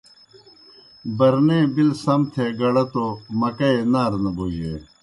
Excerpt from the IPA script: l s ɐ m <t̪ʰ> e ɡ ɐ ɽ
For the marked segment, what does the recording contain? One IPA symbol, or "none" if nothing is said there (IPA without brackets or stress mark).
t̪ʰ